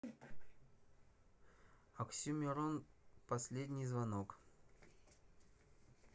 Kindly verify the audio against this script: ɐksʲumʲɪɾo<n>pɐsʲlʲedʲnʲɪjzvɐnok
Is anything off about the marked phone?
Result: no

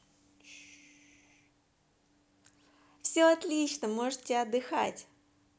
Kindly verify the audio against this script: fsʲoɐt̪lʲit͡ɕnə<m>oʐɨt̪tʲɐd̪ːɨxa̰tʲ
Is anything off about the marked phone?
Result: no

